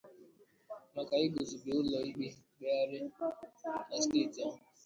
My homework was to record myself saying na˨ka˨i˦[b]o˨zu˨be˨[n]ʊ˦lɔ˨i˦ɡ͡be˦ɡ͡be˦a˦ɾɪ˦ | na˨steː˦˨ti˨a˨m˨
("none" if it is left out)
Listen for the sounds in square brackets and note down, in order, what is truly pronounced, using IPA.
ɡ, none

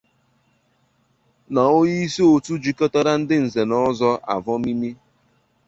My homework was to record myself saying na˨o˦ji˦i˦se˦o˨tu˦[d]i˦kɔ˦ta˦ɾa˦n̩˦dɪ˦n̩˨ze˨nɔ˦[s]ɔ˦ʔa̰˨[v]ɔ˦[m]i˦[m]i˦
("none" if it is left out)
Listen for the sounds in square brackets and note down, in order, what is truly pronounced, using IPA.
d͡ʒ, z, v, m, m

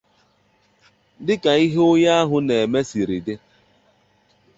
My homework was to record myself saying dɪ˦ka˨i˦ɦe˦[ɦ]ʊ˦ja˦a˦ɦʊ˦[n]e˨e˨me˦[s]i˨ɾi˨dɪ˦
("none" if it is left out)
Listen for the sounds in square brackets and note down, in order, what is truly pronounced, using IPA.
none, n, s

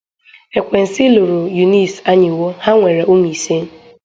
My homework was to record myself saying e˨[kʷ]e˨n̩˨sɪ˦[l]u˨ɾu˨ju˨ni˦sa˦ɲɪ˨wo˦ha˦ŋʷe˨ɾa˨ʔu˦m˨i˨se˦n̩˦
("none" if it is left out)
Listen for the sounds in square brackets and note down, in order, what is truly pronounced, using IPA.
kʷ, l

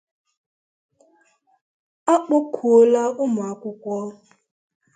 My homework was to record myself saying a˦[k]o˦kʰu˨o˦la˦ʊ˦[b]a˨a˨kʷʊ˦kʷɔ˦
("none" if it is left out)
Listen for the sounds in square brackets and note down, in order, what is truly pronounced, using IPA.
k͡p, m

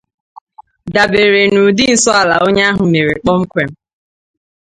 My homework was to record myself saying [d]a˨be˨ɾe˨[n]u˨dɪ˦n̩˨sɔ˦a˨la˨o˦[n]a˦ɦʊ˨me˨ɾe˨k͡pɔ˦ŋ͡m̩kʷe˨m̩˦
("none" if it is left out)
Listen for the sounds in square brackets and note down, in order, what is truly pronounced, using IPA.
d, n, ɲ

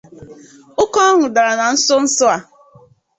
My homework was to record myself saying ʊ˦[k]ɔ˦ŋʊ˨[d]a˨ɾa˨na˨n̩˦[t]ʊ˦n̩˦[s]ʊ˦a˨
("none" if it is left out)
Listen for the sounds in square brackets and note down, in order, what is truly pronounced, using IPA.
k, d, s, s

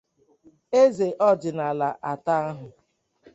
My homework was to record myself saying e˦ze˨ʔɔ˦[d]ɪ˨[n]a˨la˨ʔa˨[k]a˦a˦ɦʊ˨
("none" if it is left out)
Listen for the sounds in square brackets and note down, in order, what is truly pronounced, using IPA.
d͡ʒ, n, t

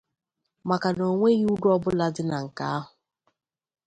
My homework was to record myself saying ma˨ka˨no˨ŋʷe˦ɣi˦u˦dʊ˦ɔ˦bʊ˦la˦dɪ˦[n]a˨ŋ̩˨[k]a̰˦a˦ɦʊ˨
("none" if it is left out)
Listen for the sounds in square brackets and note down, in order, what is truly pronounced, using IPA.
n, k

